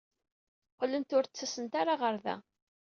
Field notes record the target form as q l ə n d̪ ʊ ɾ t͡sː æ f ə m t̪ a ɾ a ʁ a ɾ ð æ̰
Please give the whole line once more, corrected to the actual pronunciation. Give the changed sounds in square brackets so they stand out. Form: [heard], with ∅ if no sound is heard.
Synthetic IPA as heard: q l ə n [t̪] ʊ ɾ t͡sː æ [s] ə [n] t̪ a ɾ a ʁ [ə] ɾ ð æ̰